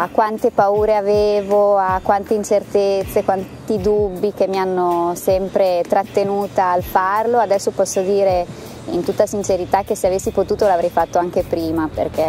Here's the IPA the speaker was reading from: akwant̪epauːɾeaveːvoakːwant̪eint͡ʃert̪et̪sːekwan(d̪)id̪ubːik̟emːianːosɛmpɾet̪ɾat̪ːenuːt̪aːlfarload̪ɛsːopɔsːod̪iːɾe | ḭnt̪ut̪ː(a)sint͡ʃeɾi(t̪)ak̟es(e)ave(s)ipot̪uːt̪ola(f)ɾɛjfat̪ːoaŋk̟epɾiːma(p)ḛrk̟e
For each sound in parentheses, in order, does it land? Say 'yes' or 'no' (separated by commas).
no, yes, yes, yes, no, no, yes